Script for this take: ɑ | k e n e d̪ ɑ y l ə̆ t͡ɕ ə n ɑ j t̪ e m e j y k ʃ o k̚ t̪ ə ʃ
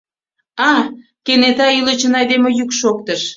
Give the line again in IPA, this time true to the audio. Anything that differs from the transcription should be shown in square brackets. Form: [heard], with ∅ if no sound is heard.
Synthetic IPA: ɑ | k e n e [t̪] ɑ y l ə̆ t͡ɕ ə n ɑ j [d̪] e m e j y k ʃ o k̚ t̪ ə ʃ